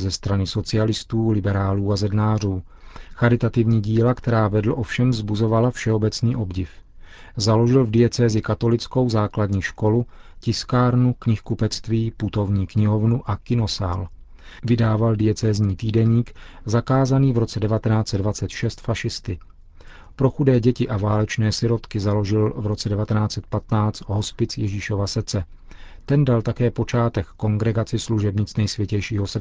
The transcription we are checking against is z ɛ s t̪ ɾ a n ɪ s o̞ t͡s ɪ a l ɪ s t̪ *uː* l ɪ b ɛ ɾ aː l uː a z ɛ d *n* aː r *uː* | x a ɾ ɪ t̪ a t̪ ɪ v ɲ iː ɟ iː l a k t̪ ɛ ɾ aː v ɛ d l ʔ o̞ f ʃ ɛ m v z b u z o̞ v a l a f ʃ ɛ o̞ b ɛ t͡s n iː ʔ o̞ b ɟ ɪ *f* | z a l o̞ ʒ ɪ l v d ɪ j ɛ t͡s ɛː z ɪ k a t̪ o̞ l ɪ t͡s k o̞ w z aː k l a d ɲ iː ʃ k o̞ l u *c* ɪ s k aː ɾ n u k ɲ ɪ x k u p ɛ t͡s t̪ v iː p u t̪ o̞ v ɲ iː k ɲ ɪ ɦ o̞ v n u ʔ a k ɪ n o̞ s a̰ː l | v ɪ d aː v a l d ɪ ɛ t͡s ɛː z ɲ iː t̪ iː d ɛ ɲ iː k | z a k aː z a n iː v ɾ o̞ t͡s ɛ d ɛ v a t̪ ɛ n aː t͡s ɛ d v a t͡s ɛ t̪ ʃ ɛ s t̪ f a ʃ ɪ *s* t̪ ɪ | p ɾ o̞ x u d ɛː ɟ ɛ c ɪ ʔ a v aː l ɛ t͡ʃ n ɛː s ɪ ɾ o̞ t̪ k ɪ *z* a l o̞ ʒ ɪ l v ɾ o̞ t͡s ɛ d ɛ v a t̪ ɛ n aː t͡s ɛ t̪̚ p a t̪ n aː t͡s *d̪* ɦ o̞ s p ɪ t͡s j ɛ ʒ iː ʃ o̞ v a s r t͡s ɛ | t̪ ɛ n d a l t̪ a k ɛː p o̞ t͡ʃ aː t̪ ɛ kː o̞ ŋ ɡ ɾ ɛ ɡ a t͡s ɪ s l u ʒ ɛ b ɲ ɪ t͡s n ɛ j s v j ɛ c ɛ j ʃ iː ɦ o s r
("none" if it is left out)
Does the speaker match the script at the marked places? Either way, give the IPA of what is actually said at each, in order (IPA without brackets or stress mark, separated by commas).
uː, n, uː, f, c, s, z, t̪